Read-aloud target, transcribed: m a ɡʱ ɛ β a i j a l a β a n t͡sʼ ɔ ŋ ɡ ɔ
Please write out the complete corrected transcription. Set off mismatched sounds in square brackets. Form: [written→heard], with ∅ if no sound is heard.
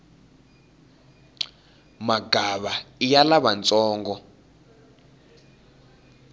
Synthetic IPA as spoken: m a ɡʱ [ɛ→a] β a i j a l a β a n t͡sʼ [ɔ→ɔː] ŋ ɡ ɔ